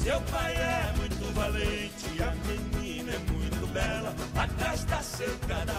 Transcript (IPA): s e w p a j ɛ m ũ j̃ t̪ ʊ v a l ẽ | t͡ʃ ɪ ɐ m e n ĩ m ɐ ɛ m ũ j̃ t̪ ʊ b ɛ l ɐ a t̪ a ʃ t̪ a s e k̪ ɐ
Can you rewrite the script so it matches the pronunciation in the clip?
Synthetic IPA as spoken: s e w p a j ɛ m ũ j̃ t̪ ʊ v a l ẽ | t͡ʃ ɪ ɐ m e n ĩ n ɐ ɛ m ũ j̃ t̪ ʊ b ɛ l ɐ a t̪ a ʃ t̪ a s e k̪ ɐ